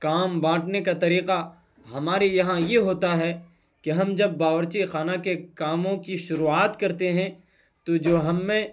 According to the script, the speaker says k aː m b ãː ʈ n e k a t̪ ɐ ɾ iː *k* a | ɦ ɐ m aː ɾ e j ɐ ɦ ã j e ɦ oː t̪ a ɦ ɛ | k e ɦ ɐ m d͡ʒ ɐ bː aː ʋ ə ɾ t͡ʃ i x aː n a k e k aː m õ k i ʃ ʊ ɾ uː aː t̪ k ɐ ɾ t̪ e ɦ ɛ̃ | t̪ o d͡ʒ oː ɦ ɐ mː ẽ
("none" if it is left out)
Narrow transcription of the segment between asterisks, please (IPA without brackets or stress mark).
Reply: q